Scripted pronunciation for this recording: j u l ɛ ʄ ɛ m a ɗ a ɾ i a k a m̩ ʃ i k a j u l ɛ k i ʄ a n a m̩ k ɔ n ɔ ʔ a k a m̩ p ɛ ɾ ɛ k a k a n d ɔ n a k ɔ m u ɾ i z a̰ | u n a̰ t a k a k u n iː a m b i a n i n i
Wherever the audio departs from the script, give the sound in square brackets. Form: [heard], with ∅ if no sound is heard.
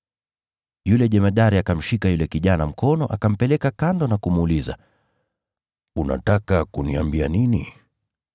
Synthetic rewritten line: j u l ɛ ʄ ɛ m a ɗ a ɾ i a k a m̩ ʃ i k a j u l ɛ k i ʄ a n a m̩ k ɔ n ɔ ʔ a k a m̩ p ɛ [l] ɛ k a k a n d ɔ n a k [u] m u [l] i z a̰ | u n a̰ t a k a k u n [i] a m b i a n i n i